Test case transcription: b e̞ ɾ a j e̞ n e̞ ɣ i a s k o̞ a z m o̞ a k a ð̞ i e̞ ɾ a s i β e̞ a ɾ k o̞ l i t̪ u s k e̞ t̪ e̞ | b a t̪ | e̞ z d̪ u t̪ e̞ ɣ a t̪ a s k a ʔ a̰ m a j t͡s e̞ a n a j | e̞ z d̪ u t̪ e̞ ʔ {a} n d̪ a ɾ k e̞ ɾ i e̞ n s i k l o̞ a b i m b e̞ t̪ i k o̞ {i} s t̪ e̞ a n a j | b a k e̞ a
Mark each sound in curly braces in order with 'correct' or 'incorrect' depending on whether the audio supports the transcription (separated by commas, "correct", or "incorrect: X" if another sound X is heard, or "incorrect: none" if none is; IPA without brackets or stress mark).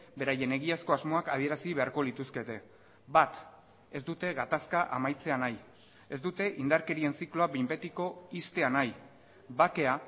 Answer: incorrect: i, correct